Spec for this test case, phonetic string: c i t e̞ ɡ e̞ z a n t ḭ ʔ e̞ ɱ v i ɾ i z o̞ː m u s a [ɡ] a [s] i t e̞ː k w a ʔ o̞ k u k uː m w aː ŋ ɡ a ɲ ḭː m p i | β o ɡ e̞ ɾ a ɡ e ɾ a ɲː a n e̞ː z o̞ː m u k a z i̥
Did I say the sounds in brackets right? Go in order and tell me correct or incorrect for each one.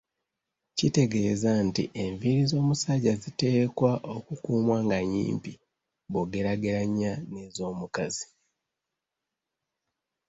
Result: incorrect: ɟ, incorrect: z

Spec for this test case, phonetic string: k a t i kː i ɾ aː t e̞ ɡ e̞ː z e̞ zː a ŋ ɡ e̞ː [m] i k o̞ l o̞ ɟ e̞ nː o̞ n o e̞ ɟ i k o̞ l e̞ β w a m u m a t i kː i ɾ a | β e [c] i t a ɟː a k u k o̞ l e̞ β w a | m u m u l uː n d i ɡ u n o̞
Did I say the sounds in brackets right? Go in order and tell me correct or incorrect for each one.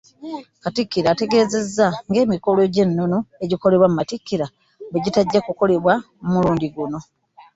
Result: correct, incorrect: ɟ

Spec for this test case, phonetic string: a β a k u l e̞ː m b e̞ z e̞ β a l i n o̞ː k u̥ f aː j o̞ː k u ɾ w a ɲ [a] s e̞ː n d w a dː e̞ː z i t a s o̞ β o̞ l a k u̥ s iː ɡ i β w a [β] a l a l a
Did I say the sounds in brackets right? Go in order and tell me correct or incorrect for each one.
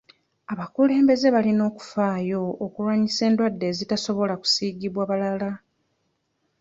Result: incorrect: i, correct

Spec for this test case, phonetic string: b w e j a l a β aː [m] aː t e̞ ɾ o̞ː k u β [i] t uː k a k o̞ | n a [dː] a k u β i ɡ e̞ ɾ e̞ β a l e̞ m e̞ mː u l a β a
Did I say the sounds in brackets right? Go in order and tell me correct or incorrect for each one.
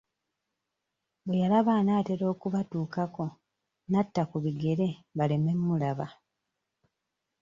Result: incorrect: n, incorrect: a, incorrect: tː

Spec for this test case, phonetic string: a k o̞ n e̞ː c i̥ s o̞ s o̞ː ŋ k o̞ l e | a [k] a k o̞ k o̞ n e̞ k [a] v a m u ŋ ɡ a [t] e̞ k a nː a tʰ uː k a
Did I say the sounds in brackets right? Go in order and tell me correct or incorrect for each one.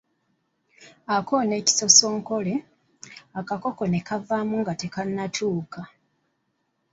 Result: correct, correct, correct

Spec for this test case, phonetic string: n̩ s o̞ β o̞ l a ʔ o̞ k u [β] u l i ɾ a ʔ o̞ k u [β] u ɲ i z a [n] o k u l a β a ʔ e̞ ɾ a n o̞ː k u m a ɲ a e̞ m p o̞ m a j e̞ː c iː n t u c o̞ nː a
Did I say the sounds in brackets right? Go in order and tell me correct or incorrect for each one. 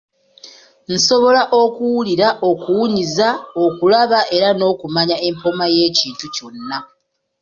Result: incorrect: w, incorrect: w, incorrect: none

